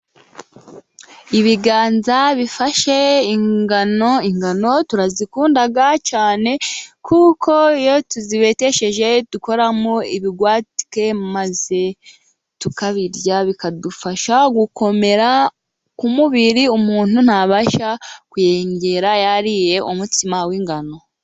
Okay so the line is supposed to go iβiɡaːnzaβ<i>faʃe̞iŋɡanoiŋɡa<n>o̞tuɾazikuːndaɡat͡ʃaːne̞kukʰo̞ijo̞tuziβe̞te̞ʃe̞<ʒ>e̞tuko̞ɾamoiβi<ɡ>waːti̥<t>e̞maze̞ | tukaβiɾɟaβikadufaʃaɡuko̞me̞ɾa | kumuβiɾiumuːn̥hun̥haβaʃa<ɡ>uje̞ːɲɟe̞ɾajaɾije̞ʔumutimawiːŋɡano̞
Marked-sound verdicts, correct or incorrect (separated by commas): correct, correct, correct, correct, incorrect, incorrect